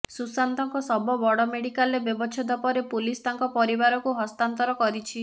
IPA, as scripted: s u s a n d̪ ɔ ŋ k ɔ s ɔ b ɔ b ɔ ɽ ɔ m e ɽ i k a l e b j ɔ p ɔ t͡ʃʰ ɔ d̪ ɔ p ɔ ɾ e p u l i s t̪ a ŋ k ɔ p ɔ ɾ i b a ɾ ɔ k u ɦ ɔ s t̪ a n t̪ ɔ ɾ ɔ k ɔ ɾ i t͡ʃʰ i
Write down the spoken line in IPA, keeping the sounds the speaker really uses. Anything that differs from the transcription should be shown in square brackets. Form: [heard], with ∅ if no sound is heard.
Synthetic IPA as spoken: s u s a n [t̪] ɔ ŋ k ɔ s ɔ b ɔ b ɔ ɽ ɔ m e ɽ i k a l e b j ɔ [b] ɔ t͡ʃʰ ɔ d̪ ɔ p ɔ ɾ e p u l i s t̪ a ŋ k ɔ p ɔ ɾ i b a ɾ ɔ k u ɦ ɔ s t̪ a n t̪ ɔ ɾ ɔ k ɔ ɾ i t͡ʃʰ i